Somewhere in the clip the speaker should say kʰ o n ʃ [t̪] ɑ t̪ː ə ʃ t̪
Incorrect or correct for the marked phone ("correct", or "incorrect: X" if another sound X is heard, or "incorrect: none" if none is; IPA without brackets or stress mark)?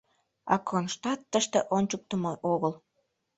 correct